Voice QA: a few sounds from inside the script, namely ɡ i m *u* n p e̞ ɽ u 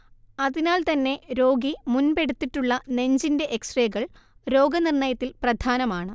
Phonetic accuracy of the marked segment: correct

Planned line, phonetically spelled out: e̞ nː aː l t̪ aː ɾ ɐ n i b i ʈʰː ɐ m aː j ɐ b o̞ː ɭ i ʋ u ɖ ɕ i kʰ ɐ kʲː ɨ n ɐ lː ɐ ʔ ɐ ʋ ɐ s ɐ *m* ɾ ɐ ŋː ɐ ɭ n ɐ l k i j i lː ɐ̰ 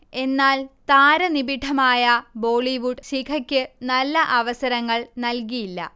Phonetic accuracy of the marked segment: incorrect: none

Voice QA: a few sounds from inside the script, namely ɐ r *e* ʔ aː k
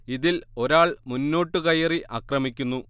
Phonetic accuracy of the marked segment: incorrect: i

